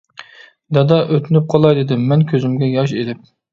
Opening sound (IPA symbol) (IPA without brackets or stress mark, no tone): d̪